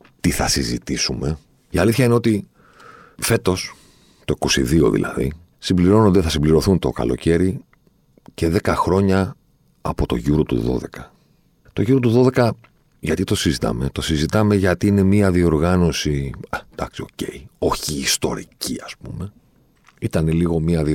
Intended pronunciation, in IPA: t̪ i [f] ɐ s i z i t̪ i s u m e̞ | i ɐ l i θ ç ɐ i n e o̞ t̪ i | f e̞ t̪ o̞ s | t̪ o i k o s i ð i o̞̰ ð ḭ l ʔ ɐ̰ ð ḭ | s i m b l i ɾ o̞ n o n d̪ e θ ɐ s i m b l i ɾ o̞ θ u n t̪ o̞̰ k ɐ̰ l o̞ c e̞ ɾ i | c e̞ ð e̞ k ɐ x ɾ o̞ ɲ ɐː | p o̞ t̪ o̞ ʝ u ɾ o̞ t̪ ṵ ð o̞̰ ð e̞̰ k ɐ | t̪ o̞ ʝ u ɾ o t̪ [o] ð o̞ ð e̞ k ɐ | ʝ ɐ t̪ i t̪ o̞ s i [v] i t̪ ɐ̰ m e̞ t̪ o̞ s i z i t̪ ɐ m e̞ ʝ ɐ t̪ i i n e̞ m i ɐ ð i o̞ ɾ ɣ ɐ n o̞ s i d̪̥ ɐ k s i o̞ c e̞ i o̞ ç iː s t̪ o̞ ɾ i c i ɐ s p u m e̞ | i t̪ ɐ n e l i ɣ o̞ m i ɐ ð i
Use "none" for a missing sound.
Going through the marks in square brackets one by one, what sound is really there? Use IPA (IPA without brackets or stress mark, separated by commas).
θ, u, z